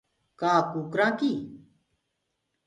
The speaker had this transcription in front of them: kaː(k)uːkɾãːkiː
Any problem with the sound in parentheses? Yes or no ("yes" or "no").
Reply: no